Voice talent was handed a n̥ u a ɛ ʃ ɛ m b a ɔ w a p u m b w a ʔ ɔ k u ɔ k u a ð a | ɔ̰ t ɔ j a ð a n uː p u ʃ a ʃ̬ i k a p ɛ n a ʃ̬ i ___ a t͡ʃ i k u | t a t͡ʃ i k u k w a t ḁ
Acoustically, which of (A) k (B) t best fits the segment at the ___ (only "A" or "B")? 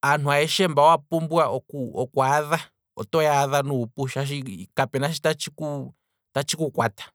B